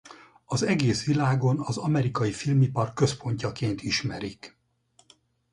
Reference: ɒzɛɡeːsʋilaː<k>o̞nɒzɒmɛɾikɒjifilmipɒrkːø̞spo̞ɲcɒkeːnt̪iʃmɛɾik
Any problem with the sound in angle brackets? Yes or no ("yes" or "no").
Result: yes